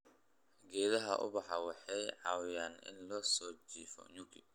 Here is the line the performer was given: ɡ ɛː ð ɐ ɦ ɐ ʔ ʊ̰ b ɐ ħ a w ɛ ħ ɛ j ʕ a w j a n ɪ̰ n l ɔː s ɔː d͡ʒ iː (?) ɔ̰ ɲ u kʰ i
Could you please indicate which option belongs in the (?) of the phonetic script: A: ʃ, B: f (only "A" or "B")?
B